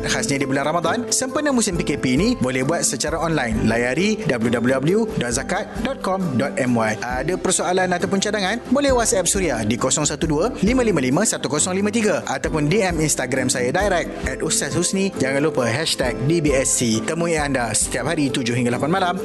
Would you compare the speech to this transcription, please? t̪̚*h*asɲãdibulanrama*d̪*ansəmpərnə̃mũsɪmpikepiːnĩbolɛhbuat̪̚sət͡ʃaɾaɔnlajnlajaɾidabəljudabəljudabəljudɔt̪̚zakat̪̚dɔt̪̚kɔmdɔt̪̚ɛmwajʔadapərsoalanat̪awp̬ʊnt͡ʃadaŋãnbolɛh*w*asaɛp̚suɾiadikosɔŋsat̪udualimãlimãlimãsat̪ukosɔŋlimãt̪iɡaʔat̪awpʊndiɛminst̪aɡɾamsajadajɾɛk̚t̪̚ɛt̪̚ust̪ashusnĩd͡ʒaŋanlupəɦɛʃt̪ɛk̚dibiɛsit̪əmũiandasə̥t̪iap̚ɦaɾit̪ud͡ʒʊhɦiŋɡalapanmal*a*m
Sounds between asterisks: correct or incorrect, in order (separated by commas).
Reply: correct, correct, correct, correct